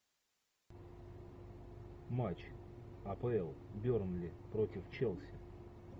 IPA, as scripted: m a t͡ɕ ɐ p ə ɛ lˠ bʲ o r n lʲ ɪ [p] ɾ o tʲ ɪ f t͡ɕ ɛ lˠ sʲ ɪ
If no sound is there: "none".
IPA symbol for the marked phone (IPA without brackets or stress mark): p